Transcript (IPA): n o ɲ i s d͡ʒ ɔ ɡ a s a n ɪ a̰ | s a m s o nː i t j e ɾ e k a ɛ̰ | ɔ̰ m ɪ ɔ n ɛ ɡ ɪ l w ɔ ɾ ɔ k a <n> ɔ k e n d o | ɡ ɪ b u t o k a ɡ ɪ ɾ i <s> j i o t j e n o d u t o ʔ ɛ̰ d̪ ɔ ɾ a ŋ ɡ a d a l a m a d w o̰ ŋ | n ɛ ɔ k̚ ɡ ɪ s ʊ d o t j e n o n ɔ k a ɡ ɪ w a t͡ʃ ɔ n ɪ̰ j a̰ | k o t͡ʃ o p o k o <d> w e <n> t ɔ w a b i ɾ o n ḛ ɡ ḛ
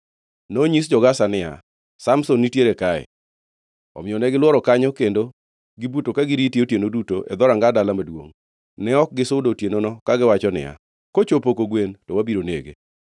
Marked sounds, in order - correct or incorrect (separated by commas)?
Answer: incorrect, incorrect, incorrect, correct